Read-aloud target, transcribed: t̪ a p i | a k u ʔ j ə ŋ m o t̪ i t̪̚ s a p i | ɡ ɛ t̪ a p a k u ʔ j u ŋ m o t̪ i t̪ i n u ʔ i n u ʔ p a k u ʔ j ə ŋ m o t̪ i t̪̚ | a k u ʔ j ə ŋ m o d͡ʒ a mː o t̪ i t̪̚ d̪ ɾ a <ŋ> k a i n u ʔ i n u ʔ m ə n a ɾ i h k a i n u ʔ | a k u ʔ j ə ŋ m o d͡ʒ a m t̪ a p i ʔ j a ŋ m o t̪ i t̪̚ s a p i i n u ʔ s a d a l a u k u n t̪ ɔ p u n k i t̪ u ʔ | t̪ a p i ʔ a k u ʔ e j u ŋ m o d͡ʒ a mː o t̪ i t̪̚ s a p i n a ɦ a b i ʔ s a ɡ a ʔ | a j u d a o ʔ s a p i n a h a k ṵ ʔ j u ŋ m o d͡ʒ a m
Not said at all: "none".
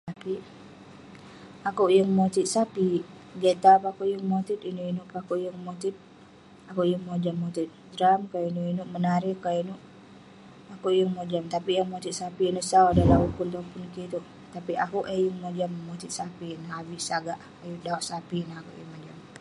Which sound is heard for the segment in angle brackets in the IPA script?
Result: m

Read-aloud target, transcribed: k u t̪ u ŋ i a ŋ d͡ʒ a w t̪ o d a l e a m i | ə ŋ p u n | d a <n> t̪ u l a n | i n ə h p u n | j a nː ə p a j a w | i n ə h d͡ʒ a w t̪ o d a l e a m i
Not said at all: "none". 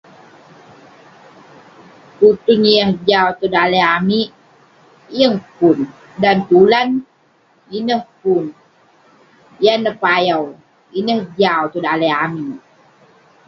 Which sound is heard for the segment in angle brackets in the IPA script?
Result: n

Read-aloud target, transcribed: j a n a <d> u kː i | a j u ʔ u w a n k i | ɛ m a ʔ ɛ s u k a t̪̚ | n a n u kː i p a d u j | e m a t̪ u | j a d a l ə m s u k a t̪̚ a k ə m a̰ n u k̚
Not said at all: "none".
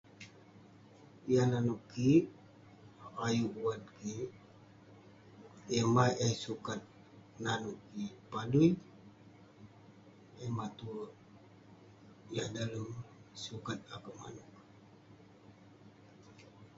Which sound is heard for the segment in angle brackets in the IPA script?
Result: n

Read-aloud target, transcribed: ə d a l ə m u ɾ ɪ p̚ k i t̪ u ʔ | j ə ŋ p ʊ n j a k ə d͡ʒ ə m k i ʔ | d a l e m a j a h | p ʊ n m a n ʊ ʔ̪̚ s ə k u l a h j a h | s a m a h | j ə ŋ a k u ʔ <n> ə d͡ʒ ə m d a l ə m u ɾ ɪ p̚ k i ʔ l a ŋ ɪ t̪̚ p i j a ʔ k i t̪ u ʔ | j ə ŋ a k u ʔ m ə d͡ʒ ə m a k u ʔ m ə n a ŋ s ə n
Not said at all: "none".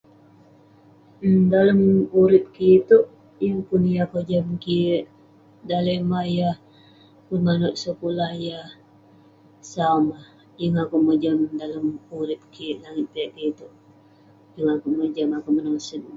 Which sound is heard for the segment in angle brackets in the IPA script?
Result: m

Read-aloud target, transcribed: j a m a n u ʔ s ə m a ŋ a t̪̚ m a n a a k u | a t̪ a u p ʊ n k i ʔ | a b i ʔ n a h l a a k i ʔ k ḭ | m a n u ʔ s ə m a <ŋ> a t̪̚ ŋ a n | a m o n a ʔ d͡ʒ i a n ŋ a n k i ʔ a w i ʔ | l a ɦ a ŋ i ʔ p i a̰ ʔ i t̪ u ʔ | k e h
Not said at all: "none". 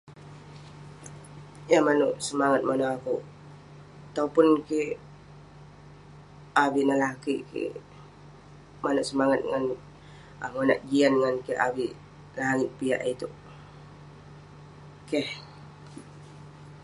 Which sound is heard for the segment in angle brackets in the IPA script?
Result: ŋ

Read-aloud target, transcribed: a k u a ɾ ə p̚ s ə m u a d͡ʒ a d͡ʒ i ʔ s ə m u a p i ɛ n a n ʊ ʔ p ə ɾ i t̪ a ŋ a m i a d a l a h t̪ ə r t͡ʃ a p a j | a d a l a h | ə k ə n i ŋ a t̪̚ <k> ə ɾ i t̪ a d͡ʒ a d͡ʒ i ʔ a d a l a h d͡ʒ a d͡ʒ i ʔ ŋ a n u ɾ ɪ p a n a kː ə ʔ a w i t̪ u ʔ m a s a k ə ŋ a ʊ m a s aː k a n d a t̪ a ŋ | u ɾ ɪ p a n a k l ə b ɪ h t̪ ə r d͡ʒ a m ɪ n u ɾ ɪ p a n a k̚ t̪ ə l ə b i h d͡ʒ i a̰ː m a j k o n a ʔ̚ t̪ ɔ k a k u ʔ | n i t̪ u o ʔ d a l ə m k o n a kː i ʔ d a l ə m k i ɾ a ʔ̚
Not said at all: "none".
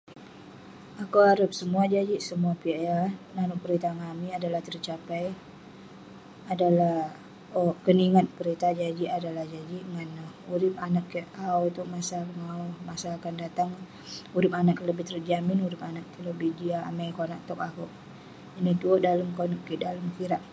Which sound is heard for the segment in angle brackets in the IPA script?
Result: p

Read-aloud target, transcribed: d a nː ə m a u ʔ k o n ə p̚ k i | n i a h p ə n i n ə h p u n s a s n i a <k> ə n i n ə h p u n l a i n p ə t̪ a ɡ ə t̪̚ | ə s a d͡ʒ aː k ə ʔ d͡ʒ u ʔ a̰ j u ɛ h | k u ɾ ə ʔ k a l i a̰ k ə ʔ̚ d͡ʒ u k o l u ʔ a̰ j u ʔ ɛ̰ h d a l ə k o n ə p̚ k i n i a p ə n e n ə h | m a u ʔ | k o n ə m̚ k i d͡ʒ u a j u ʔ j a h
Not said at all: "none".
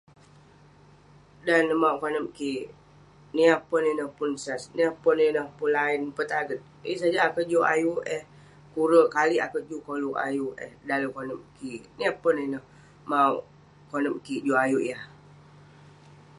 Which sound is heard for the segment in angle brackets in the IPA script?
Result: p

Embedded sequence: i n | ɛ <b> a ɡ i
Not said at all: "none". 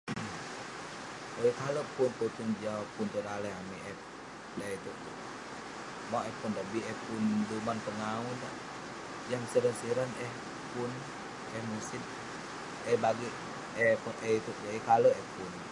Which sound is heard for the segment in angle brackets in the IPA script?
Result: b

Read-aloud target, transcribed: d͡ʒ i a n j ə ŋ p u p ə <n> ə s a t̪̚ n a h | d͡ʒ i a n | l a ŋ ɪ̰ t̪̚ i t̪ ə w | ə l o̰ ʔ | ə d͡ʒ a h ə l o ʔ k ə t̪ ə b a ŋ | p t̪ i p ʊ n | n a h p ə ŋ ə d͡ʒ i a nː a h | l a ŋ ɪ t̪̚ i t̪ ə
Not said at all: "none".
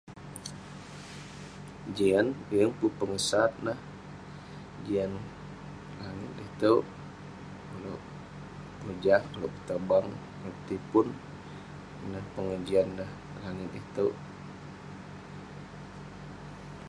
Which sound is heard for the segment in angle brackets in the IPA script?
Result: ŋ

